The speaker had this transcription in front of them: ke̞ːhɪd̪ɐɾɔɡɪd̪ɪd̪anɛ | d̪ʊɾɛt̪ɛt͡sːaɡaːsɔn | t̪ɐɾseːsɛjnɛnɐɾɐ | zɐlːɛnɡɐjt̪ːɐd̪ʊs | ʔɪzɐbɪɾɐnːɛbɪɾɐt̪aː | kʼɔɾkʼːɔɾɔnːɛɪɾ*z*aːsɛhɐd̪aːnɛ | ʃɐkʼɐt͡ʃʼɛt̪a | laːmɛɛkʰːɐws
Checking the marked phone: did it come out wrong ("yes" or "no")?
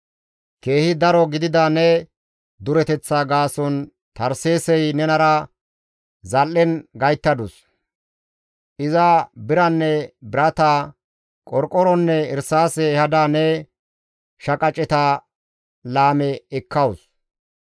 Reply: yes